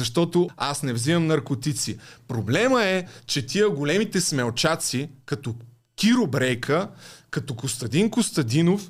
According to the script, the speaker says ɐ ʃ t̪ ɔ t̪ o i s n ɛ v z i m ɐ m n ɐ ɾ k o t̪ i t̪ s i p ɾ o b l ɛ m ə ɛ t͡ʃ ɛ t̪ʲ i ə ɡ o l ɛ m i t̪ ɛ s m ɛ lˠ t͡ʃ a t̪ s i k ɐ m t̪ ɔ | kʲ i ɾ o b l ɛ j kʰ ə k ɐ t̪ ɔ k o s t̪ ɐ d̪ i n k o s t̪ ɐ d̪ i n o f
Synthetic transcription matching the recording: ɐ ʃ t̪ ɔ t̪ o a s n ɛ v z i m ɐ m n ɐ ɾ k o t̪ i t̪ s i p ɾ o b l ɛ m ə ɛ t͡ʃ ɛ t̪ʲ i ə ɡ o l ɛ m i t̪ ɛ s m ɛ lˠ t͡ʃ a t̪ s i k ɐ t̪ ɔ | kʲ i ɾ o b ɾ ɛ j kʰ ə k ɐ t̪ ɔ k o s t̪ ɐ d̪ i n k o s t̪ ɐ d̪ i n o f